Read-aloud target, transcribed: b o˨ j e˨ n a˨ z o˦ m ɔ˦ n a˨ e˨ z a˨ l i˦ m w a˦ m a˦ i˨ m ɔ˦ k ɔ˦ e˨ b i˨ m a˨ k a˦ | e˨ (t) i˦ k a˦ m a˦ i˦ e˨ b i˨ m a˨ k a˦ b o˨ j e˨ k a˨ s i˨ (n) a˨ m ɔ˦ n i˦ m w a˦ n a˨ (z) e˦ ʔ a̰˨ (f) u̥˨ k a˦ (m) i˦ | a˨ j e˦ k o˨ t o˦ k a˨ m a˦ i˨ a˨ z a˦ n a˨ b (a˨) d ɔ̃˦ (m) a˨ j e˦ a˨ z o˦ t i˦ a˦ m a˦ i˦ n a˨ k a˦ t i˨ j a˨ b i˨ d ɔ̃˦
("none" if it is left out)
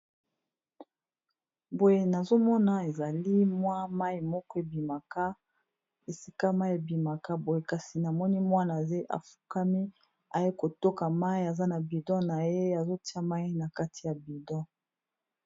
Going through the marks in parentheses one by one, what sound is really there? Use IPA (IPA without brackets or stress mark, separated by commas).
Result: s, n, z, f, m, i˨, n